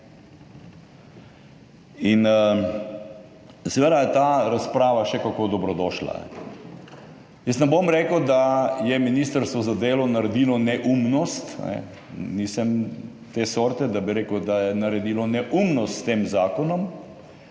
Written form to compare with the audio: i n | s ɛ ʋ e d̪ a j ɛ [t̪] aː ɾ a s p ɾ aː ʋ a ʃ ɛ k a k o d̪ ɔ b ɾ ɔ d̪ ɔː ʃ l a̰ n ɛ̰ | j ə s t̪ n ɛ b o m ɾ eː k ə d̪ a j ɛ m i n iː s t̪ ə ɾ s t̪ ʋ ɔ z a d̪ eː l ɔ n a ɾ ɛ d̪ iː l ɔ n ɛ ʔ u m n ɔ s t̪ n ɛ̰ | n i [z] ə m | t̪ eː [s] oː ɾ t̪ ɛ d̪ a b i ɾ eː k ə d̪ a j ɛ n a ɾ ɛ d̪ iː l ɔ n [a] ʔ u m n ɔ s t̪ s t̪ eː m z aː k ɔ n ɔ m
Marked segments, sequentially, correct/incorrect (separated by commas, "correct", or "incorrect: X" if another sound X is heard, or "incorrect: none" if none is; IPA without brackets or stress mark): correct, incorrect: s, correct, incorrect: ɛ